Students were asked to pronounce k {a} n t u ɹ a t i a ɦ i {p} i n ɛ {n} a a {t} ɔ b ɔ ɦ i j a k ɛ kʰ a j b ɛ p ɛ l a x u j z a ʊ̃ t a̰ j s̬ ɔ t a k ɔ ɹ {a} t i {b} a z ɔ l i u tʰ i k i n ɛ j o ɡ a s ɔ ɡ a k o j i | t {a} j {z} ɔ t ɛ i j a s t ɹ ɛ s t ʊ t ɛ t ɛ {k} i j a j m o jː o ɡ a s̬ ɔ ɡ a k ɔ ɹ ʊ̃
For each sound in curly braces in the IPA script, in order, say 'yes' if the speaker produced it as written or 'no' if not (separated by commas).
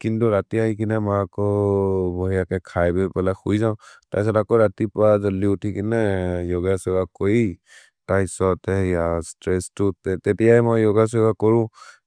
no, no, no, no, yes, no, yes, no, no